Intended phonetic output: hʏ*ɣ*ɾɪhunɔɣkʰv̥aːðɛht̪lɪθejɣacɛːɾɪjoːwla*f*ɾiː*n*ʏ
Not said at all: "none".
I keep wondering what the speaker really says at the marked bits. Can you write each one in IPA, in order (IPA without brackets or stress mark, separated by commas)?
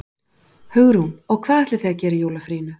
ɣ, f, n